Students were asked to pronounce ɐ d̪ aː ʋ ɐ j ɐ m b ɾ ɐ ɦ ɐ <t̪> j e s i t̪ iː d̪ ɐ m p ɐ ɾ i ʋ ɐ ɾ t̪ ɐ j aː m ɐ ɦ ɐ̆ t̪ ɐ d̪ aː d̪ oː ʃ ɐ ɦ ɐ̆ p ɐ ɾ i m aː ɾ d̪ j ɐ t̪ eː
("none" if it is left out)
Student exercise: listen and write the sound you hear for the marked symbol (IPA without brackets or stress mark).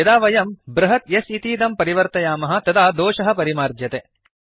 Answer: t̪